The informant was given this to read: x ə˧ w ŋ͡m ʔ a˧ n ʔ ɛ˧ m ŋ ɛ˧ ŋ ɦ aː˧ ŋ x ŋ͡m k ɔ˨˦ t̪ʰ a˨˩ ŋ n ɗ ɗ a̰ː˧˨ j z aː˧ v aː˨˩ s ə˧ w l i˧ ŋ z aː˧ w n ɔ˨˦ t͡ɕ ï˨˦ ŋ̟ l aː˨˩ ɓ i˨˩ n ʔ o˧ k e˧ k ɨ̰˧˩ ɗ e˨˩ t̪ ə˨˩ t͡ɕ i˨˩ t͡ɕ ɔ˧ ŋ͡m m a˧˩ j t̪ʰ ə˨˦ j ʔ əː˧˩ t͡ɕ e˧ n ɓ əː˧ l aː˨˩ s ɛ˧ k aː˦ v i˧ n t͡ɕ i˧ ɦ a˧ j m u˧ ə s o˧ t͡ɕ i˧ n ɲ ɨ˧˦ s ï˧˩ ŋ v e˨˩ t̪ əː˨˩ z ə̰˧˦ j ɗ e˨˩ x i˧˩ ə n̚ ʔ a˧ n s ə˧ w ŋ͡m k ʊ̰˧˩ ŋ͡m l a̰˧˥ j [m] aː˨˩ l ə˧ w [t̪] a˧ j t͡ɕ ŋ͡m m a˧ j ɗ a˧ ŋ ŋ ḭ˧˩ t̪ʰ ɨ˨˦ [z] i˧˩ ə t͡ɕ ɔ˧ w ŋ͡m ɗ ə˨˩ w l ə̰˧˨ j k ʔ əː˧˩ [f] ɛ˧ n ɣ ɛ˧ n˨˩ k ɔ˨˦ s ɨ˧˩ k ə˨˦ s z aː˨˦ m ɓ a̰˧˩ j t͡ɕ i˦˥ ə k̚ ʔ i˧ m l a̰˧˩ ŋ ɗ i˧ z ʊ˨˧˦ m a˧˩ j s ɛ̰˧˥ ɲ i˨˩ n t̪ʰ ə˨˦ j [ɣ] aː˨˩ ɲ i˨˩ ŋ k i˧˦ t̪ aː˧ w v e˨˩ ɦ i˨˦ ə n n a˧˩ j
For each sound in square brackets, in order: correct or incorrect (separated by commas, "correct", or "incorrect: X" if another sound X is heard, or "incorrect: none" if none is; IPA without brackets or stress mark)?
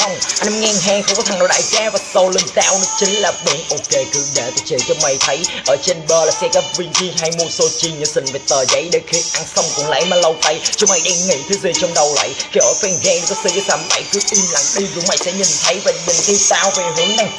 correct, correct, correct, correct, incorrect: v